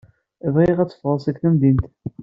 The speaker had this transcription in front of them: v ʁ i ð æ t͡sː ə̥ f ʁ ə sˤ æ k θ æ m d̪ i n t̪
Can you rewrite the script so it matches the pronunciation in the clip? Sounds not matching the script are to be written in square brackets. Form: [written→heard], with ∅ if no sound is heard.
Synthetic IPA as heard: v ʁ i [ð→ʁ] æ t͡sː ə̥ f ʁ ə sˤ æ k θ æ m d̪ i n t̪